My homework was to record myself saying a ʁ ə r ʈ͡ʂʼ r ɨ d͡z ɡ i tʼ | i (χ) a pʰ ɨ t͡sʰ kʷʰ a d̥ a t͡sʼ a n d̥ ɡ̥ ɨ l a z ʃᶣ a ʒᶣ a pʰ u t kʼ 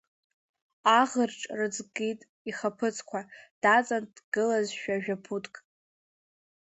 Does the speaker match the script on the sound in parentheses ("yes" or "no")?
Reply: yes